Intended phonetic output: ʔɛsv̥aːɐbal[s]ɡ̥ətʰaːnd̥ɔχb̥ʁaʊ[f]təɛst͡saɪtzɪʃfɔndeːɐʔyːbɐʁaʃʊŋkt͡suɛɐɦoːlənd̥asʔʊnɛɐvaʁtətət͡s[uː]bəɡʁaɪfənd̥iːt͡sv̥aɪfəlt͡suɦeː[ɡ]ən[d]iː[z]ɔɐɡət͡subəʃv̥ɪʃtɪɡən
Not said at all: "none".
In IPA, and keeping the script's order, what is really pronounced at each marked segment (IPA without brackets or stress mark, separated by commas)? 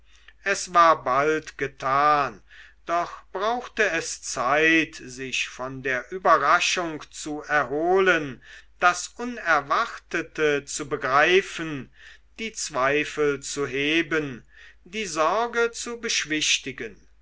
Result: t, x, u, b, d, z